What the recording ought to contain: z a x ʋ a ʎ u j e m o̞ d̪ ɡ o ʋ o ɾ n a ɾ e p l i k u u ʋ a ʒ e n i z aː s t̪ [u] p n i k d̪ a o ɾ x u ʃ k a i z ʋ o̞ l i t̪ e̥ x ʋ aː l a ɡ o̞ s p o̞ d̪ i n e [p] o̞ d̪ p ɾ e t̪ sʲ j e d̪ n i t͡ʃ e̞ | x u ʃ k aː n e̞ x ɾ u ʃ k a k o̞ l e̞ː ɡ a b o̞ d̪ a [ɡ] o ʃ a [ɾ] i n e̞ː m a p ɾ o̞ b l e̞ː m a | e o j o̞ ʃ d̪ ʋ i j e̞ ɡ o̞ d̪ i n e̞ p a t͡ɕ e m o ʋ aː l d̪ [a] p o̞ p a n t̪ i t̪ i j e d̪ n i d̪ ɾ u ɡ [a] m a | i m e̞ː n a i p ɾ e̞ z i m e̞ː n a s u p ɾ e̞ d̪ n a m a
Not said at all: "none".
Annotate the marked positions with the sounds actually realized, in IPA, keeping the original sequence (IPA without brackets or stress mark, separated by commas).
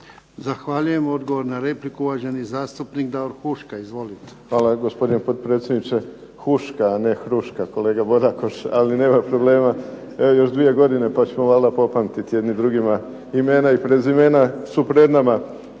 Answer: u, p, k, l, a, i